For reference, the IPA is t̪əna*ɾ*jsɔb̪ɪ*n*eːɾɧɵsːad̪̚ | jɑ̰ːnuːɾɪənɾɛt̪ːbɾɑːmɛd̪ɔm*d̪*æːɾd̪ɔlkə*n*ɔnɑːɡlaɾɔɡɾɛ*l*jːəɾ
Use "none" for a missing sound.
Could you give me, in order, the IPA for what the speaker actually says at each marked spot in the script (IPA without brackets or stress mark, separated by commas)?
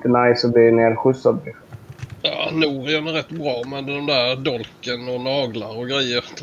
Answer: none, n, d̪, n, none